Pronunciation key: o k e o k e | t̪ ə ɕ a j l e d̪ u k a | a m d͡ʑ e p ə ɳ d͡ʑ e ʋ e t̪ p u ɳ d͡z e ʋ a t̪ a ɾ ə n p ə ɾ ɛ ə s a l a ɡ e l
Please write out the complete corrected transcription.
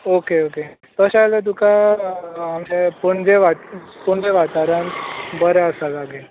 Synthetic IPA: o k e o k e | t̪ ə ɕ a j l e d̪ u k a | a m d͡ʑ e p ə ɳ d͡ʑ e ʋ a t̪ p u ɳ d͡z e ʋ a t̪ a ɾ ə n b ə ɾ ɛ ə s a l a ɡ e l